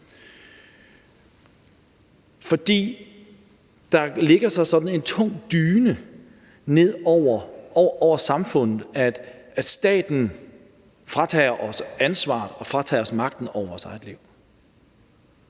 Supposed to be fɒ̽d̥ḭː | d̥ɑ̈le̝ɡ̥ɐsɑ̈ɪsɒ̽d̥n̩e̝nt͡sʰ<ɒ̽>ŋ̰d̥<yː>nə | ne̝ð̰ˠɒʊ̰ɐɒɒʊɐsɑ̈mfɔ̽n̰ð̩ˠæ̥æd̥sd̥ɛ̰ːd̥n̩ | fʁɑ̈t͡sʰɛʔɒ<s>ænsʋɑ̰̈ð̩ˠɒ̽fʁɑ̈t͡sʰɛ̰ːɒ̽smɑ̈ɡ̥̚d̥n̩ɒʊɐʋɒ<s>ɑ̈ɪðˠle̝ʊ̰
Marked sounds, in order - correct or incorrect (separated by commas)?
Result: incorrect, correct, correct, correct